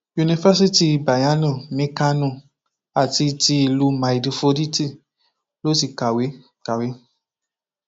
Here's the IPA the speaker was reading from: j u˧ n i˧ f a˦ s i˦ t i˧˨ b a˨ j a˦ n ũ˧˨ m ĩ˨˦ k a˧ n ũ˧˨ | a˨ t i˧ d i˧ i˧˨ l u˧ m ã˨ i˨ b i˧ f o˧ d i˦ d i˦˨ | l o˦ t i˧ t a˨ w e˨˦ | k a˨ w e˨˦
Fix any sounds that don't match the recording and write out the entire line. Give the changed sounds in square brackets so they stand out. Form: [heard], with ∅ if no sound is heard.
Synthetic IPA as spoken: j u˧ n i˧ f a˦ s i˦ t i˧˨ b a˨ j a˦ n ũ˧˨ m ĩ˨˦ k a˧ n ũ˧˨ | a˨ t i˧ [t] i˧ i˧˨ l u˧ m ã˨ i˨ [d] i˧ f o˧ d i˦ [t] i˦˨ | l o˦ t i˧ [k] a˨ w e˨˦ | k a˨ w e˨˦